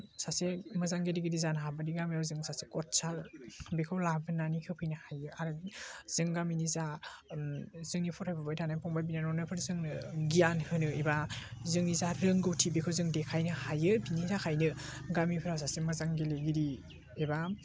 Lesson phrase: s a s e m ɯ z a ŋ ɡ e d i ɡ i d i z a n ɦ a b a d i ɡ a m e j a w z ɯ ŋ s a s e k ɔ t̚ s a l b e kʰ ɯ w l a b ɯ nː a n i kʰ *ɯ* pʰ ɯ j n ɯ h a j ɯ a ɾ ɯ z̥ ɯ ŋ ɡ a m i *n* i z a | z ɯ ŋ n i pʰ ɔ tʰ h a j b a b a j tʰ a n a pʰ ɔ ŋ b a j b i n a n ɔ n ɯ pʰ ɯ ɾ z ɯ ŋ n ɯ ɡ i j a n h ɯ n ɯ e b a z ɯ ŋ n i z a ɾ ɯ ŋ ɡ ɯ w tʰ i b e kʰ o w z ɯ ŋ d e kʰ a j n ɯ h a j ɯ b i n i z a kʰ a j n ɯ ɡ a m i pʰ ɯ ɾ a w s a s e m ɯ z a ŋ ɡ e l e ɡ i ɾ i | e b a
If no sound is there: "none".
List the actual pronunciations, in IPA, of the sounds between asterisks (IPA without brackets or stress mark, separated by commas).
ɯ, n